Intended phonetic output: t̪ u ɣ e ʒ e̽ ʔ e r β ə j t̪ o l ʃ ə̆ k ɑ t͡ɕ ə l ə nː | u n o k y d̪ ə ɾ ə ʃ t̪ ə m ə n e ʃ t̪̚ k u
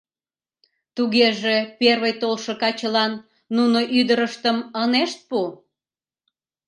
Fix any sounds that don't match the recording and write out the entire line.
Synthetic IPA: t̪ u ɣ e ʒ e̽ p e r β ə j t̪ o l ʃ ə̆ k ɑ t͡ɕ ə l ɑ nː | u n o ʔ y d̪ ə ɾ ə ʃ t̪ ə m ə n e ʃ t̪̚ p u